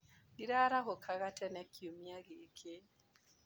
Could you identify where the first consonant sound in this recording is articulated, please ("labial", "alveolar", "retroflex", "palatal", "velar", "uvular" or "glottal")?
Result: alveolar